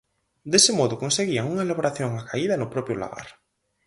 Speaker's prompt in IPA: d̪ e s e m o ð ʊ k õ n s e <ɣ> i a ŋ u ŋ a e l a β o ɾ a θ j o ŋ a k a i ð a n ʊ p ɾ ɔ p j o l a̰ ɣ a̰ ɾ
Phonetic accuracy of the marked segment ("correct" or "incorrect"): correct